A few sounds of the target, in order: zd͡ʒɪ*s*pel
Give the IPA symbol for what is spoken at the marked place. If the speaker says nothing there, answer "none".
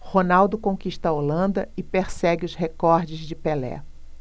none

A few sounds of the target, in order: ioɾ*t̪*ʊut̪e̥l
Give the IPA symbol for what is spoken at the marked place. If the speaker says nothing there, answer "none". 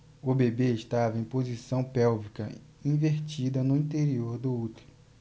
d̪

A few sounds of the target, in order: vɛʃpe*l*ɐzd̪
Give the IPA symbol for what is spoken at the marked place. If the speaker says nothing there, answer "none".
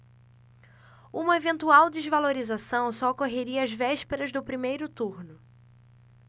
ɾ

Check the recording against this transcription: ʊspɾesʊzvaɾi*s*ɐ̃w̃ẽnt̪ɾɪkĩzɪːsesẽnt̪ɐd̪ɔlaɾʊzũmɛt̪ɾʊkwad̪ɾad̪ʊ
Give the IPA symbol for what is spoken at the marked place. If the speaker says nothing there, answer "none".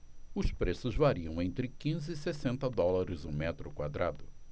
none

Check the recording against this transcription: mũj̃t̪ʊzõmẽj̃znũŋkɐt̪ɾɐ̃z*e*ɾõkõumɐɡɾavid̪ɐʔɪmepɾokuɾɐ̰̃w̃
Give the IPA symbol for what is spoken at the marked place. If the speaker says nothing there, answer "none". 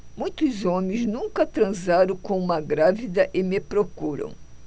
a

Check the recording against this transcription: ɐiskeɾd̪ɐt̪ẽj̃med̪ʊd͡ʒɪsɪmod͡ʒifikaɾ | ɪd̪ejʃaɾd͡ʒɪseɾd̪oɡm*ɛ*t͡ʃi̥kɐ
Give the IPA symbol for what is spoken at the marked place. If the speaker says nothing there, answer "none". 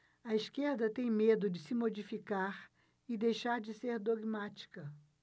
a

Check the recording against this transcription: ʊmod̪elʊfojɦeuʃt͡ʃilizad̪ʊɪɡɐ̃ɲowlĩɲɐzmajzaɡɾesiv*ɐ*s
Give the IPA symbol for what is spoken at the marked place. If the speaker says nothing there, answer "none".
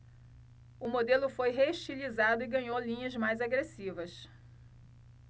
ɐ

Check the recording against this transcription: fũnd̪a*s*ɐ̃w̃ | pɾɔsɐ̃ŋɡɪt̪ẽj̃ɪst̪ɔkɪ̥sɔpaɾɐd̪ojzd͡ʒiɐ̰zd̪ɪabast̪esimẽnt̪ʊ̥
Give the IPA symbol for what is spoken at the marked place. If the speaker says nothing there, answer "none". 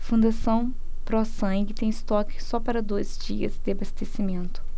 s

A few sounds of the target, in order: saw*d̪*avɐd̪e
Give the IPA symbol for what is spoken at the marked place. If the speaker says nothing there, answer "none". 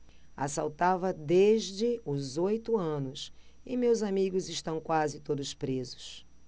t̪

